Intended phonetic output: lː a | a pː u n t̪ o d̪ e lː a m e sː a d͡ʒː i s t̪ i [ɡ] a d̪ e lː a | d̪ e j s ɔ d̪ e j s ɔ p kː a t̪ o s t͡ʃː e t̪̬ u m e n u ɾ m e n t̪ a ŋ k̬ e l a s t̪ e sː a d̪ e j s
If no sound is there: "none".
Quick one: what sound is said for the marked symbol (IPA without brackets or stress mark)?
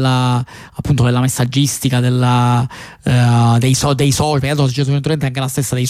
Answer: k